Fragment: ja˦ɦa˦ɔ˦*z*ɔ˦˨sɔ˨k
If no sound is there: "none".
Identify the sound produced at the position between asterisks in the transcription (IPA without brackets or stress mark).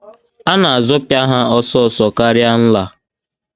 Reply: s